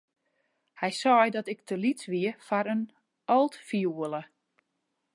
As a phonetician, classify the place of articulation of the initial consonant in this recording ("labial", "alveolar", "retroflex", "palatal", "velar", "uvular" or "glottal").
glottal